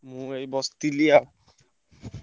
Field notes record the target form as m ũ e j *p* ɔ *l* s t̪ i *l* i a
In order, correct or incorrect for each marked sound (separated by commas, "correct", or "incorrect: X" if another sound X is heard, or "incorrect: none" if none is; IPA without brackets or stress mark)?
incorrect: b, incorrect: none, correct